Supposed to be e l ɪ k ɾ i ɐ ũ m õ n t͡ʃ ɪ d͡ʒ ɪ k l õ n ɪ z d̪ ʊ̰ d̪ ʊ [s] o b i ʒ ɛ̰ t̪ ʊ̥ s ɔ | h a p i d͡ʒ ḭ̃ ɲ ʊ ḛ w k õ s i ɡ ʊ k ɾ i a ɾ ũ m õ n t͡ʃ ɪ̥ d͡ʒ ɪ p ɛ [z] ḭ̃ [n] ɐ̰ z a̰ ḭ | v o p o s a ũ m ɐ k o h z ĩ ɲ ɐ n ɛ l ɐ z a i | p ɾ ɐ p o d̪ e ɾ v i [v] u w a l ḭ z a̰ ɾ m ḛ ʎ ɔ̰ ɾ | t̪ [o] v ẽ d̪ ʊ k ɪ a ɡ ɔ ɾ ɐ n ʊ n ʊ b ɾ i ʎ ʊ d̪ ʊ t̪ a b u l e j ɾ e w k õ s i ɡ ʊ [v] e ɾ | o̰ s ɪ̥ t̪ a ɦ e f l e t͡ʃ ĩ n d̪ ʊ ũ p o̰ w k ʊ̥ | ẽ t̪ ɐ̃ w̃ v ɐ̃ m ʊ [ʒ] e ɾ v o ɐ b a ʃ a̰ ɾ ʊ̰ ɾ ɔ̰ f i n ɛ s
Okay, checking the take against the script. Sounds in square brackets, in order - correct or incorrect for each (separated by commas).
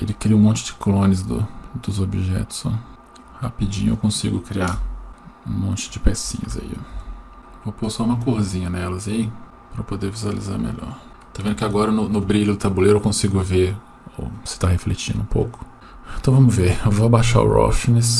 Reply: incorrect, incorrect, incorrect, incorrect, correct, correct, incorrect